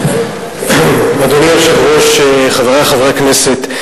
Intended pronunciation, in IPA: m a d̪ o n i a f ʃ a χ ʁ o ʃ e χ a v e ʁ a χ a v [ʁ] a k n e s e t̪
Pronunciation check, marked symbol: correct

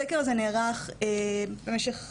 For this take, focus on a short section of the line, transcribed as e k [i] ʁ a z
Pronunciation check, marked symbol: incorrect: e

